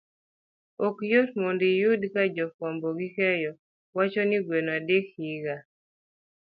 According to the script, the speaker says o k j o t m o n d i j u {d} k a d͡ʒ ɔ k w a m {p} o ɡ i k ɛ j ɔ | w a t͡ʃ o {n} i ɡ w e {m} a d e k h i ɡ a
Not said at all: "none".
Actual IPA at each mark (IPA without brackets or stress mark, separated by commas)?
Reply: d, b, n, n